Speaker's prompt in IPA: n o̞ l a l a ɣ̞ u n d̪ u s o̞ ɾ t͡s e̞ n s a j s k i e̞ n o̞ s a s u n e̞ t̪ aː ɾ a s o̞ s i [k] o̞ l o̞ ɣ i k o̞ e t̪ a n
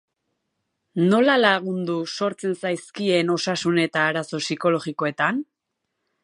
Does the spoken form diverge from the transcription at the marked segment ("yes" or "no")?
no